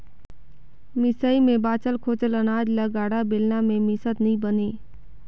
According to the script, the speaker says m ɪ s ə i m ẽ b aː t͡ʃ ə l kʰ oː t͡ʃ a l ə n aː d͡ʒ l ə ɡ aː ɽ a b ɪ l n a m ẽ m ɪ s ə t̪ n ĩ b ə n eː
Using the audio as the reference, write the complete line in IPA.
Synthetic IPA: m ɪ s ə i m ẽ b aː t͡ʃ ə l kʰ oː t͡ʃ ə l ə n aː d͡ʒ l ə ɡ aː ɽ a b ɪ l n a m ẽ m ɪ s ə t̪ n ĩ b ə n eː